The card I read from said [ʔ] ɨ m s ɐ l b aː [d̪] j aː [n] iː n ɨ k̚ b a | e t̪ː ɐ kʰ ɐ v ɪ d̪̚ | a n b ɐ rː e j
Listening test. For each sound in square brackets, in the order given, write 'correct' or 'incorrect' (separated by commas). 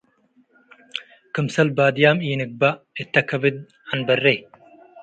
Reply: incorrect, correct, incorrect